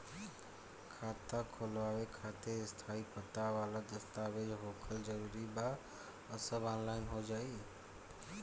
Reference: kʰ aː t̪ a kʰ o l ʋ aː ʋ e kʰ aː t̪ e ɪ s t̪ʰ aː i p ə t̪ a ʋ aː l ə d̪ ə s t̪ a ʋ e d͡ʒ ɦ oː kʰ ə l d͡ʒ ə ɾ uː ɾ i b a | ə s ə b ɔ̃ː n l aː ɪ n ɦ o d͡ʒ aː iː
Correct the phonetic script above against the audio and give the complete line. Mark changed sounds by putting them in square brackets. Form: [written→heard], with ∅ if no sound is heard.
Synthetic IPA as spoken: kʰ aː t̪ a kʰ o l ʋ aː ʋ e kʰ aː t̪ e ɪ s t̪ʰ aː i p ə t̪ a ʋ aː l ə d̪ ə s t̪ a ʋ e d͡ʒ ɦ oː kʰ ə l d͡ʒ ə ɾ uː ɾ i b a | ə s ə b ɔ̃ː n l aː ɪ n ɦ o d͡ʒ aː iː